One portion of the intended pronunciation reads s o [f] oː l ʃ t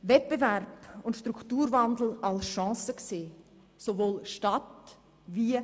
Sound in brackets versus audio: incorrect: v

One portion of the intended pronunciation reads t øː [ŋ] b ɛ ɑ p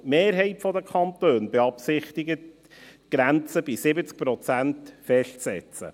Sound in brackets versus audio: incorrect: n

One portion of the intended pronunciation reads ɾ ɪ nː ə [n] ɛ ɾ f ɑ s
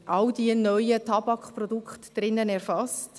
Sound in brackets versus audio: correct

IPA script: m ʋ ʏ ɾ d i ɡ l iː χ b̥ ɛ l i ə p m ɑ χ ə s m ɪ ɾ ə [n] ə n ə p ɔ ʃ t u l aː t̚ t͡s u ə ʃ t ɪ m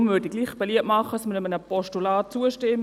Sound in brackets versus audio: incorrect: m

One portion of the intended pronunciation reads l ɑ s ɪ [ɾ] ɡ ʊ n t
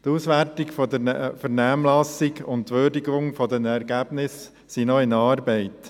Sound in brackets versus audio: incorrect: none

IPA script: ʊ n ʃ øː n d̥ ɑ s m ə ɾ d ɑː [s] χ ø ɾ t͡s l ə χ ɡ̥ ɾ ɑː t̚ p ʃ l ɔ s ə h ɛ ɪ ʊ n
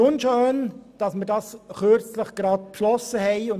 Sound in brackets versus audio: correct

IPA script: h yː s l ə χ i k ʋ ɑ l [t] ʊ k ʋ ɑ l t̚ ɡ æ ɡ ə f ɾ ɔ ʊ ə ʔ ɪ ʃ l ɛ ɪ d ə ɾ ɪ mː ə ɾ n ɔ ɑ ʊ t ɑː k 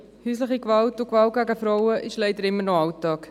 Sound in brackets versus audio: correct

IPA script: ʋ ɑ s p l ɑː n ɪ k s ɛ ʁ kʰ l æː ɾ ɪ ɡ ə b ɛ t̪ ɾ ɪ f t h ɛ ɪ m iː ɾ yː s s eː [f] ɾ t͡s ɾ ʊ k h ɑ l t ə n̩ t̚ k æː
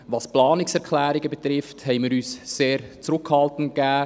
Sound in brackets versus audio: incorrect: none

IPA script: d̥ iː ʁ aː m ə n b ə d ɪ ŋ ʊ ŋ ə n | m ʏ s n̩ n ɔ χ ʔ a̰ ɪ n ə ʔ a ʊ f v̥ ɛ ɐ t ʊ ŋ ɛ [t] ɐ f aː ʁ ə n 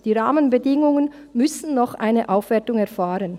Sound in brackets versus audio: incorrect: none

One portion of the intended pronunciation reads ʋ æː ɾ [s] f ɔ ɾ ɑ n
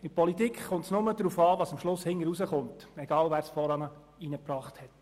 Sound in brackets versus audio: correct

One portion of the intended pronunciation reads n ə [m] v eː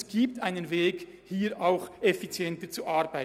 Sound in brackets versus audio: incorrect: n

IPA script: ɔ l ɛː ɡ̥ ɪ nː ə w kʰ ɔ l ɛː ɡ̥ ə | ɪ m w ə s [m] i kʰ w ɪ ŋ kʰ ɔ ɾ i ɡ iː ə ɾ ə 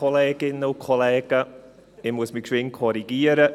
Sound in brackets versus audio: correct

